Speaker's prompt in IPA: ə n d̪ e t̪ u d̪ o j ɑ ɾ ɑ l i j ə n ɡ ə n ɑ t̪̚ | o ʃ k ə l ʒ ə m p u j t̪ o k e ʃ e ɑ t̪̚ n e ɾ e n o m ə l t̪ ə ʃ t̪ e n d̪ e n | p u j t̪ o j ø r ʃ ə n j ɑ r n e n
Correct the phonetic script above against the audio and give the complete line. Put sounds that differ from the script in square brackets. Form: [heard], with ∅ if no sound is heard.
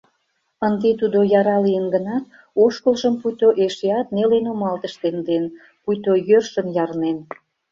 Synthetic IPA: ə n d̪ e t̪ u d̪ o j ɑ ɾ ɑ l i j ə n ɡ ə n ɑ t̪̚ | o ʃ k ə l ʒ ə m p u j t̪ o [ʔ] e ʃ e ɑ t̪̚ n e [l] e n o m [ɑ] l t̪ ə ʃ t̪ e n d̪ e n | p u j t̪ o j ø r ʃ ə n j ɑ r n e n